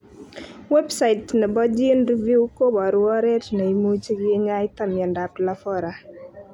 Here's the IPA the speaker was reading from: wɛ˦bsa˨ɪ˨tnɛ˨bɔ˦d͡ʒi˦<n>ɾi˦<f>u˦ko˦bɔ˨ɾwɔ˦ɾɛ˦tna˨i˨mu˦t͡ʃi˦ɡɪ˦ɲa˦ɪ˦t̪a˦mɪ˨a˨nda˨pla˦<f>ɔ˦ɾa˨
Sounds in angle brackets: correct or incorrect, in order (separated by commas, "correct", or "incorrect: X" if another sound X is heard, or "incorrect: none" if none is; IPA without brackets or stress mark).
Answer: correct, incorrect: v, correct